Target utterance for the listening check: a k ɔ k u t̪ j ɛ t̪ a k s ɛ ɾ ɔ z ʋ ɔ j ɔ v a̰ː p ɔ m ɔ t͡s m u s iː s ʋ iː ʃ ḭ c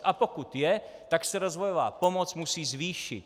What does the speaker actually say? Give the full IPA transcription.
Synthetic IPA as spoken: a p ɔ k u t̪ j ɛ t̪ a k s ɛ ɾ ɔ z ʋ ɔ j ɔ ʋ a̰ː p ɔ m ɔ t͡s m u s iː z ʋ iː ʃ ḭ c